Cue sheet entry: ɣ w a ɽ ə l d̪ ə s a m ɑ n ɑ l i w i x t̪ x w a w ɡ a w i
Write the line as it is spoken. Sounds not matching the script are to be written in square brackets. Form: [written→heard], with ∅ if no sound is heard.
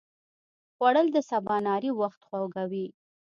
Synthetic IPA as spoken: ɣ w a ɽ ə l d̪ ə s a [m→b] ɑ n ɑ [l→ɾ] i w [i→a] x t̪ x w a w ɡ a w i